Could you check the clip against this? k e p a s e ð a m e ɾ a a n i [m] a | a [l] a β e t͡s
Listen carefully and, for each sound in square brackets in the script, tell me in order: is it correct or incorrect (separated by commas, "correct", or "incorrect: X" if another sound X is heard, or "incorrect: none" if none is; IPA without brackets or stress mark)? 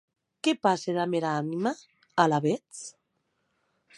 correct, correct